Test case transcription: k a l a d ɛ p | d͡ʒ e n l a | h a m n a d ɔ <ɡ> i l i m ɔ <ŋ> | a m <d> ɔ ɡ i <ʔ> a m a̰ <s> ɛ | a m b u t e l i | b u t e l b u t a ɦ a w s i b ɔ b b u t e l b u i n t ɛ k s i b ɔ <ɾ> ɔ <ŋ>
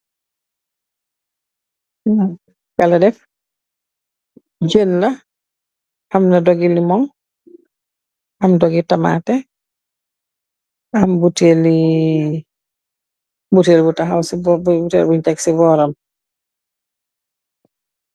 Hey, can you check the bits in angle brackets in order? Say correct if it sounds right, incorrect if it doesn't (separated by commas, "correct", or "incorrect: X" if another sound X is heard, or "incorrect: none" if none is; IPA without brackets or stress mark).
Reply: correct, correct, correct, incorrect: t, incorrect: t, correct, incorrect: m